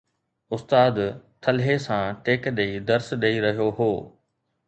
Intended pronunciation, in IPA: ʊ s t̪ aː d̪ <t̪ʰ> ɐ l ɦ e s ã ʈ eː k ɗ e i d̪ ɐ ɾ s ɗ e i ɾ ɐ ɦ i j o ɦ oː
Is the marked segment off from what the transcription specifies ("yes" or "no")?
no